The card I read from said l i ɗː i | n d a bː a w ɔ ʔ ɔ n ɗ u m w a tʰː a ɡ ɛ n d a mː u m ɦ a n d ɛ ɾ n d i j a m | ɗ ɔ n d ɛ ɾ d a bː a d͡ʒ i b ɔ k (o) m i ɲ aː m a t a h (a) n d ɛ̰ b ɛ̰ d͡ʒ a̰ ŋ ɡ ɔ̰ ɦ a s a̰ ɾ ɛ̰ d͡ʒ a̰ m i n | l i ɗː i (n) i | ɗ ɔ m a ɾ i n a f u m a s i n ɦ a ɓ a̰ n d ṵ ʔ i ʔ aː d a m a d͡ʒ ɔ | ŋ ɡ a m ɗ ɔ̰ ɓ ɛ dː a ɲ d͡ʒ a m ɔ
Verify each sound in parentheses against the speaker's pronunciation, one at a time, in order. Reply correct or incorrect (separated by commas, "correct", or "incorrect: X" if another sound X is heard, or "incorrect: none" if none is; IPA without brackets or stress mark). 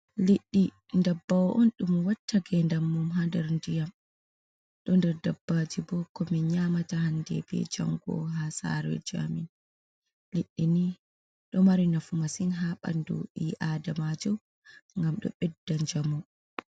incorrect: ɔ, correct, correct